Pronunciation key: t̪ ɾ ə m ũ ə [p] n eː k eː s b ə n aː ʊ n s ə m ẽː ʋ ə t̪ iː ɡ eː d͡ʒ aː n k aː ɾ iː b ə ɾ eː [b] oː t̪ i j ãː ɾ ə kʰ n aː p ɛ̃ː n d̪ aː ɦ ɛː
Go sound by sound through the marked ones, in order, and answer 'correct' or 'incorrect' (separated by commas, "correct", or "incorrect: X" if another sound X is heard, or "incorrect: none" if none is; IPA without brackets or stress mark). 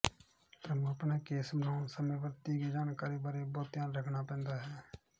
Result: correct, correct